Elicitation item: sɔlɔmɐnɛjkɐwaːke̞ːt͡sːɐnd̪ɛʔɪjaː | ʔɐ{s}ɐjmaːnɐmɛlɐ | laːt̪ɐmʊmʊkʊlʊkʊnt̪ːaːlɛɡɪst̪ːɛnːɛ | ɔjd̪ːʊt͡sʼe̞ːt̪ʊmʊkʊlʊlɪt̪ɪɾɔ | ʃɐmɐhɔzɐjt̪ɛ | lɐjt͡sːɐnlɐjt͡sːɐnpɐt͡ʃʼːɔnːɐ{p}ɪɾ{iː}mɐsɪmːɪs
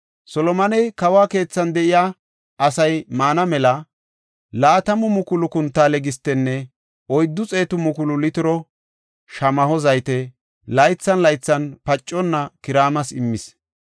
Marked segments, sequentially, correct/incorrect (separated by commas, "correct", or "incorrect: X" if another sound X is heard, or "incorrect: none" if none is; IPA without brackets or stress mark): correct, incorrect: k, incorrect: aː